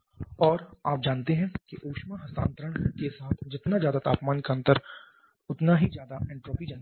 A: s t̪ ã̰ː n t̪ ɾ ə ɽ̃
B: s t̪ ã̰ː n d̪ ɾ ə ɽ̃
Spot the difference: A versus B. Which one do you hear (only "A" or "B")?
A